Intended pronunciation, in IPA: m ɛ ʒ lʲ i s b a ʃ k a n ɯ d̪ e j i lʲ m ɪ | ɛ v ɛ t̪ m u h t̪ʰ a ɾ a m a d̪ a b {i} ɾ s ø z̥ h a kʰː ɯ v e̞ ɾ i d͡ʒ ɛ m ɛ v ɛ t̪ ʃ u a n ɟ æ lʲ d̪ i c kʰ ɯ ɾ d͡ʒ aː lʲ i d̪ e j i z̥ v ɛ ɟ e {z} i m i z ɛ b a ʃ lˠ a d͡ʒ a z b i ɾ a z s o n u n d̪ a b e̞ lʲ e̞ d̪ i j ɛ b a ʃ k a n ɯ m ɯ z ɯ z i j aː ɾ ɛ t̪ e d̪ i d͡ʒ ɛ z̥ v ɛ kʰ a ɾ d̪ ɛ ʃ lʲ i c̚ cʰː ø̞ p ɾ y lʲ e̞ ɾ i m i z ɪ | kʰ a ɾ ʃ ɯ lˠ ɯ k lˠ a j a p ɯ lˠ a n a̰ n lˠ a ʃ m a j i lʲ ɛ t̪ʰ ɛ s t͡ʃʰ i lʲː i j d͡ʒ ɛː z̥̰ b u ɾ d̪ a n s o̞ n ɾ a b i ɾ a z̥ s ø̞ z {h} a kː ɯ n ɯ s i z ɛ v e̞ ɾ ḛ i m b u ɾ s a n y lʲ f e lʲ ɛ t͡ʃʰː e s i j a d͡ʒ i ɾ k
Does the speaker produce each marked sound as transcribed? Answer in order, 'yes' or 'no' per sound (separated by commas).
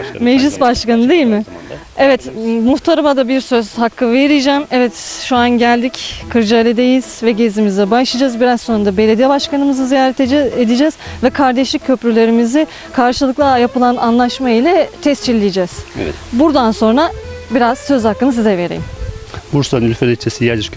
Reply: yes, yes, yes